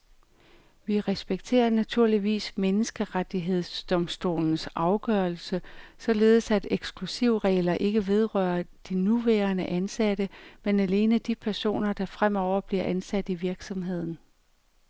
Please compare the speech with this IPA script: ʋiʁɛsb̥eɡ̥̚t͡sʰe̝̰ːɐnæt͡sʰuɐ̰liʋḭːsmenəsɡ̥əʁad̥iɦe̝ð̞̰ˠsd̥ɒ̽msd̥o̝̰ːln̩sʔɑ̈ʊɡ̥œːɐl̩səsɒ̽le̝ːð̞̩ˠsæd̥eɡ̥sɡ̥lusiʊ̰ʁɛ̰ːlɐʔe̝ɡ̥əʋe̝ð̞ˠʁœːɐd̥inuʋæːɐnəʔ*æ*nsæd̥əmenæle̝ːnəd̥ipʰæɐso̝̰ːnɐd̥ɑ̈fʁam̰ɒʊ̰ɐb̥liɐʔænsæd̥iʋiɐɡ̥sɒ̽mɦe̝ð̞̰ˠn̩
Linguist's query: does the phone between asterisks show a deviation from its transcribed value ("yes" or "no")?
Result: no